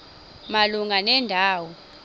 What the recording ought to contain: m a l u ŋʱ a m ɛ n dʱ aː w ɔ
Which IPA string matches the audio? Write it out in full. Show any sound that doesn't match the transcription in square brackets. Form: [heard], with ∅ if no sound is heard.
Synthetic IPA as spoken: m a l u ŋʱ a [n] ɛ n dʱ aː w ɔ